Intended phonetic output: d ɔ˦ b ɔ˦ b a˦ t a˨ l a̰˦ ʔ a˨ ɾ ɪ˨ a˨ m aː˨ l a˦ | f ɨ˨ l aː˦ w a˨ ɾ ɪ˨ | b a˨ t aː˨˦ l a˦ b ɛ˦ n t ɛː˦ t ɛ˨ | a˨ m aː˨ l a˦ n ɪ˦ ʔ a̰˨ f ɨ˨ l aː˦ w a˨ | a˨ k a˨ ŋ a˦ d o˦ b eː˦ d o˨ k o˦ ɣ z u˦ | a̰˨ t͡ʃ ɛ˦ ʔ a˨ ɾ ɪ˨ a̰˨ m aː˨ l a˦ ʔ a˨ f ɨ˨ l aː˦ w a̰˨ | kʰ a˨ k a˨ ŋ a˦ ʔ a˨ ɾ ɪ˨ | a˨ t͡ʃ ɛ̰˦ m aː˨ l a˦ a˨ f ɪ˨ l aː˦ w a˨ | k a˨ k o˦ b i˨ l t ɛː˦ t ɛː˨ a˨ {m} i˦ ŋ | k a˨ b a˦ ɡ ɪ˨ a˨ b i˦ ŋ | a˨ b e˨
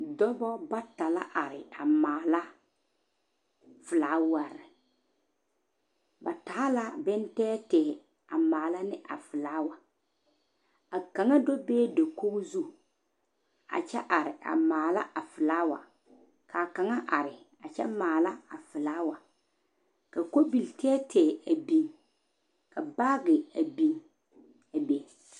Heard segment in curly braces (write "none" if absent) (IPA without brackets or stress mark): b